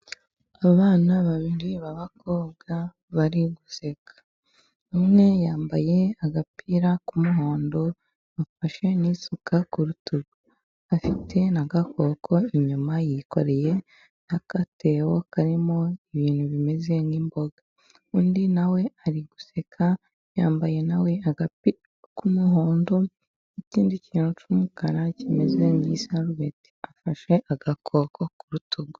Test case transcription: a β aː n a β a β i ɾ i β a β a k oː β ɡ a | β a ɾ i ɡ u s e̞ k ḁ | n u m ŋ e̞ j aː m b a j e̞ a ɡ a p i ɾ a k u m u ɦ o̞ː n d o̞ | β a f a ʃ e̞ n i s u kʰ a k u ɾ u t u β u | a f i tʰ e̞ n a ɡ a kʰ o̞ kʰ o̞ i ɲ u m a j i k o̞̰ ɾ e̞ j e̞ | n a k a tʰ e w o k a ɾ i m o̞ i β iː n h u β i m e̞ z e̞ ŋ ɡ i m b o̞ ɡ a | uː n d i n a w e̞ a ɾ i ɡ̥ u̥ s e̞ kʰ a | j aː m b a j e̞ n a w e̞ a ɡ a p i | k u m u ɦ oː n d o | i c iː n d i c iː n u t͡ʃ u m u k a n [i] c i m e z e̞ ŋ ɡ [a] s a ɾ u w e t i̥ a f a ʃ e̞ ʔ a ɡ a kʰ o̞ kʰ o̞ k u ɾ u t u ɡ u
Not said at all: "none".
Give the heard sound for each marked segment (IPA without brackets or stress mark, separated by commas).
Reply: a, i